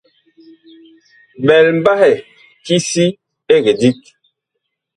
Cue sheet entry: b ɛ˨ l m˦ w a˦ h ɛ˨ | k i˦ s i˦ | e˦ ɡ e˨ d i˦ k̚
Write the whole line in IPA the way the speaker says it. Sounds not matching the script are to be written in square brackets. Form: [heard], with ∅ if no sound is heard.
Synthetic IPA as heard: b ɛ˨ l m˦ [b] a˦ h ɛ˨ | k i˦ s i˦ | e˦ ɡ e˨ d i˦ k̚